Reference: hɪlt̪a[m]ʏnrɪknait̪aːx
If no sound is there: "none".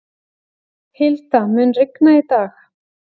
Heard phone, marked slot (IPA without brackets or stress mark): m